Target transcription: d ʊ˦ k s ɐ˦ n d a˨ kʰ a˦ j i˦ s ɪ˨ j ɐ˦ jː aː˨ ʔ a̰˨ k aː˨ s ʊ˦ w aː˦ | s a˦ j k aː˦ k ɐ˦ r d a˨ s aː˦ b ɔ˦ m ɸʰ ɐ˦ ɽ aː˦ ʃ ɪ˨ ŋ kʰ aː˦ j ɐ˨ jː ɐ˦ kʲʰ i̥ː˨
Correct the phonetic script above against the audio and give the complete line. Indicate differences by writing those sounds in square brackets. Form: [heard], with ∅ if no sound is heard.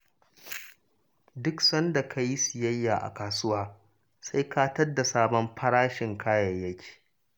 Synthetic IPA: d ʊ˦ k s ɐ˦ n d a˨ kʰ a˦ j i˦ s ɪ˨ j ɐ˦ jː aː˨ ʔ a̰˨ k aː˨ s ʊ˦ w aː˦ | s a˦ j k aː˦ [t] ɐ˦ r d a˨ s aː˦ b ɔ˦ m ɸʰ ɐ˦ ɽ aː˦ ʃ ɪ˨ ŋ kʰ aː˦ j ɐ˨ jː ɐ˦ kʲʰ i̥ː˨